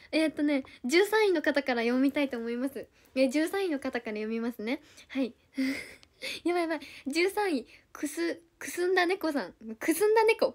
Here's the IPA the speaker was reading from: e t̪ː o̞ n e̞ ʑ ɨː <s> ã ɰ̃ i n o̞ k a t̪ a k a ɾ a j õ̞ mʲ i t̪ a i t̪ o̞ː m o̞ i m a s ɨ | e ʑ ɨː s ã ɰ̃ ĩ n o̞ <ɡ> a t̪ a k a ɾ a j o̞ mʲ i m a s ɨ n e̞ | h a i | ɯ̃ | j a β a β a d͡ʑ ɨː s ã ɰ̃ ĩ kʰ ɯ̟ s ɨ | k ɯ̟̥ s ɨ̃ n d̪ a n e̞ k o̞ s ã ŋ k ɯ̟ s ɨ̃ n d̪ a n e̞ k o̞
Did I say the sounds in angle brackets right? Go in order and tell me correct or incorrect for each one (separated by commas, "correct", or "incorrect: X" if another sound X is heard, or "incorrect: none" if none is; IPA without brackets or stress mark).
correct, incorrect: k